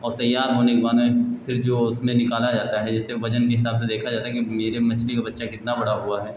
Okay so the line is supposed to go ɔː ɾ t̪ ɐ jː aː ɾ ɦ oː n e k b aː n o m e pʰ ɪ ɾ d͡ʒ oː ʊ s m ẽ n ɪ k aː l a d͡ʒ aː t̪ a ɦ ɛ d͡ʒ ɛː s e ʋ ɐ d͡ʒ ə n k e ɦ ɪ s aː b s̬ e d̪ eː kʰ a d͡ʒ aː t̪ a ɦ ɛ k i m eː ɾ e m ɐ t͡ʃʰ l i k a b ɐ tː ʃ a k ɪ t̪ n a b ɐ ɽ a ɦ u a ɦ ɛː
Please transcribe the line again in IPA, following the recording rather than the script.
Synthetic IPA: ɔː ɾ t̪ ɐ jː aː ɾ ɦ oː n e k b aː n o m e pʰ ɪ ɾ d͡ʒ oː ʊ s m ẽ n ɪ k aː l a d͡ʒ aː t̪ a ɦ ɛ d͡ʒ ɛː s e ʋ ɐ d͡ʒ ə n k e ɦ ɪ s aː b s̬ e d̪ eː kʰ a d͡ʒ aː t̪ a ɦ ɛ k i m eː ɾ e m ɐ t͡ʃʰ l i k a b ɐ tː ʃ a k ɪ t̪ n a b ɐ ɽ a ɦ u a ɦ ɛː